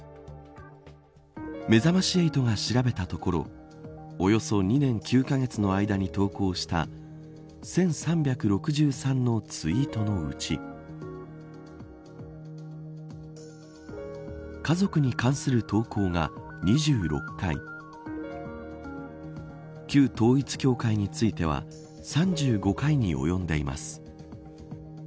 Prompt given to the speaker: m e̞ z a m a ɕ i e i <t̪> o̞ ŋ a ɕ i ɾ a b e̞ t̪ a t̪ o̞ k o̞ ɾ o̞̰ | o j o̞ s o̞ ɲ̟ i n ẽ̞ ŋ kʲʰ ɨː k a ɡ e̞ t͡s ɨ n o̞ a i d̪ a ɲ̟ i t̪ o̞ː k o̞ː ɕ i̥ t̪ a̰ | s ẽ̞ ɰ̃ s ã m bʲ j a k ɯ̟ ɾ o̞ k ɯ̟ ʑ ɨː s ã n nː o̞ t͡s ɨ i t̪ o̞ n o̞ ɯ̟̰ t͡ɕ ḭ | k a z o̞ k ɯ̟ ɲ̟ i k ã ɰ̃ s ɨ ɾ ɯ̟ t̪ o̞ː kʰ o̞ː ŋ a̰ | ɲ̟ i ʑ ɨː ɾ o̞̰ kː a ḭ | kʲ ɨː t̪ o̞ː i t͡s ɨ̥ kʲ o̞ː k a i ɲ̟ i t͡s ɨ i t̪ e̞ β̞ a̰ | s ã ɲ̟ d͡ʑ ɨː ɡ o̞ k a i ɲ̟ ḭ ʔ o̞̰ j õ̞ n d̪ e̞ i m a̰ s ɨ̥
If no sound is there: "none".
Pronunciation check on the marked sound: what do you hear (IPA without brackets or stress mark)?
t̪